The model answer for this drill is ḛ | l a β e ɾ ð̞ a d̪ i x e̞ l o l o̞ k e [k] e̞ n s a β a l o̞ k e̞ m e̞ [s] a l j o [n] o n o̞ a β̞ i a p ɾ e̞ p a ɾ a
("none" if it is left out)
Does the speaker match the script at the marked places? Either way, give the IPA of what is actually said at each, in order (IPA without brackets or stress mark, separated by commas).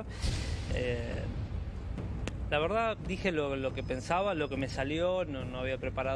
p, s, n